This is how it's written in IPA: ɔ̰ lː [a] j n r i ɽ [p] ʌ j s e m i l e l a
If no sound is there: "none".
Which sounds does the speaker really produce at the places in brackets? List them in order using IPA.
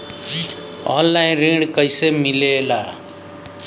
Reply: a, k

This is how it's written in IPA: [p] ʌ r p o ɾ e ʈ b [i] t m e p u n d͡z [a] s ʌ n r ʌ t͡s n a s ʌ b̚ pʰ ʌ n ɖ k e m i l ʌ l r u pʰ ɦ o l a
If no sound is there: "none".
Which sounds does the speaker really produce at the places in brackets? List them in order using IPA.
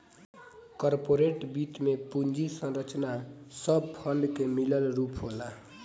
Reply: k, i, i

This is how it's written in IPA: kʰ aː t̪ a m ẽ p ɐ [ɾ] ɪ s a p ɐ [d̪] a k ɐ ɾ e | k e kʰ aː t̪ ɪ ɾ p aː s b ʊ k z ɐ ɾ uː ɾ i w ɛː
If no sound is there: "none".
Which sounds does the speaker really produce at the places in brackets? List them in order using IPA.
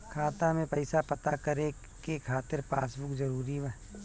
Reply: none, t̪

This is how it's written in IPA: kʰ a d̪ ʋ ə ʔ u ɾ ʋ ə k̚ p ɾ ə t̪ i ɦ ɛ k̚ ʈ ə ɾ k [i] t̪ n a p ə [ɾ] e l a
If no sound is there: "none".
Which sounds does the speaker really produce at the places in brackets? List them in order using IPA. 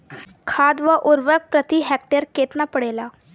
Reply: e, ɽ

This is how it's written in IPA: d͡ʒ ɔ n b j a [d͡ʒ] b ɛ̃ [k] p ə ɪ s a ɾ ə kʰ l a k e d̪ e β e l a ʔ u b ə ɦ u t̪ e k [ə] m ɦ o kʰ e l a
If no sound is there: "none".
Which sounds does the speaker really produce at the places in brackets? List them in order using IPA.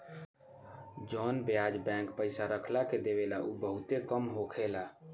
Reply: d͡ʒ, k, ə

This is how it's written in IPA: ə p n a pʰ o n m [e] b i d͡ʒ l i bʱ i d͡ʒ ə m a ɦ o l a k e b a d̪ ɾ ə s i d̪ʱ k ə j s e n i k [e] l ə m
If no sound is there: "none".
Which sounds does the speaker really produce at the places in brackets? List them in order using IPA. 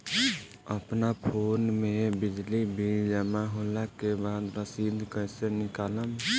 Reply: e, a

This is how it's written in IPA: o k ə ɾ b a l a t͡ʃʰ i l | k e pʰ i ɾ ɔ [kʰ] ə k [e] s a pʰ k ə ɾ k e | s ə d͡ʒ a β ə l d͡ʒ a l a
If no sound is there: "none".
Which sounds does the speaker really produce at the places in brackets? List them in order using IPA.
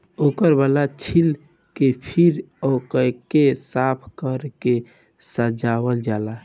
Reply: k, e

